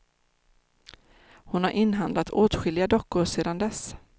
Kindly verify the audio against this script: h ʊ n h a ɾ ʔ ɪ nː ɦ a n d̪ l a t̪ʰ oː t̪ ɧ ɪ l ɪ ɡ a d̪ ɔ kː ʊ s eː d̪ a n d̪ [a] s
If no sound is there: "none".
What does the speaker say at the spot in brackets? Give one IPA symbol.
ɛ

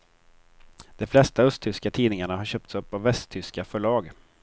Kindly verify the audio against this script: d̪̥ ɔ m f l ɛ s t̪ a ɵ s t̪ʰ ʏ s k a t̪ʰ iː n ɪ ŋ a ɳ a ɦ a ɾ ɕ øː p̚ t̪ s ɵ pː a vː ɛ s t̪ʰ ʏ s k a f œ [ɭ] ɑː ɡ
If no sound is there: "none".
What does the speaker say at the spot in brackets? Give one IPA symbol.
ɭ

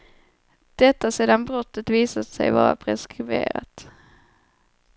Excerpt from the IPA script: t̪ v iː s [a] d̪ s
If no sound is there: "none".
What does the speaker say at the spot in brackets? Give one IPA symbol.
a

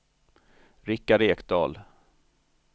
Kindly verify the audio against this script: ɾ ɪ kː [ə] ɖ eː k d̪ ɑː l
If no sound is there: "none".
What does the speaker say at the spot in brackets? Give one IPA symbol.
a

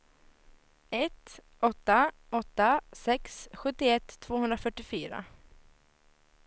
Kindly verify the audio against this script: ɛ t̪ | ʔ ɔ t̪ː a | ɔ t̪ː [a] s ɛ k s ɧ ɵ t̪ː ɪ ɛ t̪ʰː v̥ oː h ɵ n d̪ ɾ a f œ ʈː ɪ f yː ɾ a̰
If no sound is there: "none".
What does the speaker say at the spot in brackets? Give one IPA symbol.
a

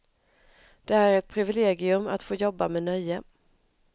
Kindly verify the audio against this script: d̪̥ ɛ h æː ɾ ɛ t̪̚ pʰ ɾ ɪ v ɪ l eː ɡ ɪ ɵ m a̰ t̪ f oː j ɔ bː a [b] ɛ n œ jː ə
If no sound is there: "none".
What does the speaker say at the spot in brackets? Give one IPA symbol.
m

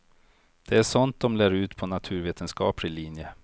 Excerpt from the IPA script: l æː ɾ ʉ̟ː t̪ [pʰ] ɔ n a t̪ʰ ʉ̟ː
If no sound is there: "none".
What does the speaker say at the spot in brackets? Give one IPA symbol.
pʰ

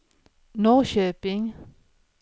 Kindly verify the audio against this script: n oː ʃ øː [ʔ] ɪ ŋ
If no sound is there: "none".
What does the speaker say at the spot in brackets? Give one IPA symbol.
p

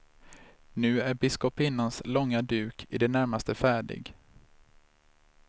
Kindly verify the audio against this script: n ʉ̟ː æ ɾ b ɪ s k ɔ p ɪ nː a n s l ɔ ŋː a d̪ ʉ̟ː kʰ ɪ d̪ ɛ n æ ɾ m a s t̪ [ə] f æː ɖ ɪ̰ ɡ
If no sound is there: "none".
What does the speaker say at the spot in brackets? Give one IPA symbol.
ə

